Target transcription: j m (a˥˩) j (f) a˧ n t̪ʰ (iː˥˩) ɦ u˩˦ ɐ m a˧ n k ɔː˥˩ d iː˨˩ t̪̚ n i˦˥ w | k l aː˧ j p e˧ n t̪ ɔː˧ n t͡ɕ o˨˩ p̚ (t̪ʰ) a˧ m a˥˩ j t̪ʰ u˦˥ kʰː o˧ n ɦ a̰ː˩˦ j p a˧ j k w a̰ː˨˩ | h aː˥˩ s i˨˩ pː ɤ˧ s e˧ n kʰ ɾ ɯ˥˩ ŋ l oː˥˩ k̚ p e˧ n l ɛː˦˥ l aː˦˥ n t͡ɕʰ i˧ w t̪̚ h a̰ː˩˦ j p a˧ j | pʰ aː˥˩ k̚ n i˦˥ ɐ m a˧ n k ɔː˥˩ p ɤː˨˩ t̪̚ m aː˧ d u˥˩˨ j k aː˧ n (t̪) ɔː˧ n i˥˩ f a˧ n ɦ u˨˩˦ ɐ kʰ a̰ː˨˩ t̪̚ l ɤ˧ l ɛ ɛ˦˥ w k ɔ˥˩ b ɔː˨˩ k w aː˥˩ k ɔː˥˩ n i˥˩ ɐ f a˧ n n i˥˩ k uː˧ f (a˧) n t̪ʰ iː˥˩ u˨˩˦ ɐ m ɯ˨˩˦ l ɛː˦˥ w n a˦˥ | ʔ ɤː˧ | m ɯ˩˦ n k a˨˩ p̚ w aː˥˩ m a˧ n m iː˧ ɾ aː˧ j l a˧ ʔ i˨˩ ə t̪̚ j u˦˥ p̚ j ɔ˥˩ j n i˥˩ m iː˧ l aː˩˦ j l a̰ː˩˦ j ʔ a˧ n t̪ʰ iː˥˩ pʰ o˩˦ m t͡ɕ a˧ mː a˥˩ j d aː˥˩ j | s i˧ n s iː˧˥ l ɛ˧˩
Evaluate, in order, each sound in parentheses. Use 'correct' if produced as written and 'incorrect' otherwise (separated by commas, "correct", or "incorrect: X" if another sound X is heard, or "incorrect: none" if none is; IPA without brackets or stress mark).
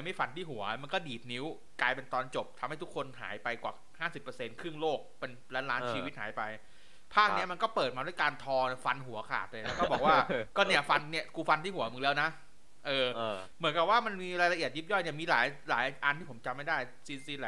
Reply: correct, correct, correct, correct, incorrect: t̪ʰ, correct